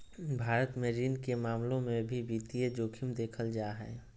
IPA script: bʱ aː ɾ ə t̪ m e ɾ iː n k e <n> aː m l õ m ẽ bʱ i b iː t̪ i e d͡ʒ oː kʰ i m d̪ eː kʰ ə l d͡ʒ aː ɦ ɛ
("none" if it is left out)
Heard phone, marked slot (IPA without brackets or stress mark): m